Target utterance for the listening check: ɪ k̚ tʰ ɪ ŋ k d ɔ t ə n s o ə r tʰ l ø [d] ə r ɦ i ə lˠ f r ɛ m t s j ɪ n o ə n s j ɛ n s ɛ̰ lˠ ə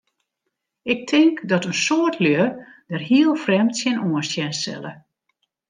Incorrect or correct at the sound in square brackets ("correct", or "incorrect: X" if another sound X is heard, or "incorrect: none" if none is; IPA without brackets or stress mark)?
correct